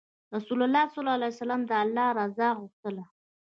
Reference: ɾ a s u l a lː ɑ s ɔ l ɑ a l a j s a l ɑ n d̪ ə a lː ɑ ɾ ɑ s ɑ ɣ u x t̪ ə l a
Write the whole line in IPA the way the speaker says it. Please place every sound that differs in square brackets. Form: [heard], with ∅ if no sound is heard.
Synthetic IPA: ɾ a s u l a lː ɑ s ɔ l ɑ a l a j s a l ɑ [m] d̪ ə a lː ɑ ɾ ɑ [z] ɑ ɣ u x t̪ ə l a